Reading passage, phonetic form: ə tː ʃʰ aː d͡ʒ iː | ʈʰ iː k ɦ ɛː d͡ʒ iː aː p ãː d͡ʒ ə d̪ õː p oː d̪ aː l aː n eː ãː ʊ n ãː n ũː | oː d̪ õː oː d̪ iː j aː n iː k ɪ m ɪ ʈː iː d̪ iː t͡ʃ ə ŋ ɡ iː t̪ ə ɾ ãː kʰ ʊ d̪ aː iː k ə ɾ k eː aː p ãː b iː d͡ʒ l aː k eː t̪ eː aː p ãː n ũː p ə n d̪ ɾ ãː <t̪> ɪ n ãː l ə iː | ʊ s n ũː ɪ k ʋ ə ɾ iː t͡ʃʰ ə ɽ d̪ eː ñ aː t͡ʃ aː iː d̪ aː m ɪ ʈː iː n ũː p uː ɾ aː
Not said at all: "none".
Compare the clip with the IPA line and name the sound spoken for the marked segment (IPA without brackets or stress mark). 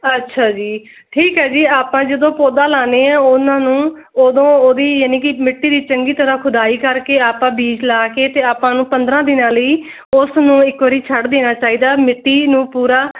d̪